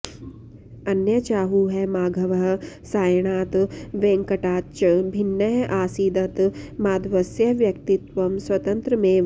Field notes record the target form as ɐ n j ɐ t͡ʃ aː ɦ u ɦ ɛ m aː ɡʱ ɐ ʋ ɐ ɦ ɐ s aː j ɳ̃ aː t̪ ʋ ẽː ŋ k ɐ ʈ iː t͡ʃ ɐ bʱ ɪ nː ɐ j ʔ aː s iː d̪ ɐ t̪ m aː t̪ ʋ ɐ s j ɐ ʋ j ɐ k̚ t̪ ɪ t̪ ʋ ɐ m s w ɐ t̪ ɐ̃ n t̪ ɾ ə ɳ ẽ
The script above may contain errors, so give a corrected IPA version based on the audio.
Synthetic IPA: ɐ n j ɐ t͡ʃ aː ɦ u ɦ ɛ m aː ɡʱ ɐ ʋ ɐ ɦ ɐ s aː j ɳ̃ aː t̪ ʋ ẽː ŋ k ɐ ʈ aː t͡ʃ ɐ bʱ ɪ nː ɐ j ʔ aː s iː d̪ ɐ t̪ m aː d̪ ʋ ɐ s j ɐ ʋ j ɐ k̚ t̪ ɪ t̪ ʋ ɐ m s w ɐ t̪ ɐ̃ n t̪ ɾ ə m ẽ